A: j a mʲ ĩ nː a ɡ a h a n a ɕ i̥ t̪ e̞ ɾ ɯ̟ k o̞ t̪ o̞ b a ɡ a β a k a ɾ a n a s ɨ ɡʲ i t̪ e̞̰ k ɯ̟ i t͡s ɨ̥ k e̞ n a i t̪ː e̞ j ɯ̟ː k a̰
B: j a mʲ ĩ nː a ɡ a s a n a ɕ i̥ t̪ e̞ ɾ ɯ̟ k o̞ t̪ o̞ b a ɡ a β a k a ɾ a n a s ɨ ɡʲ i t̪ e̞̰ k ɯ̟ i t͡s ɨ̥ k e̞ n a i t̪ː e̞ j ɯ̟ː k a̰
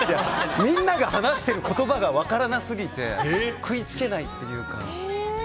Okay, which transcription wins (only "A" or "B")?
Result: A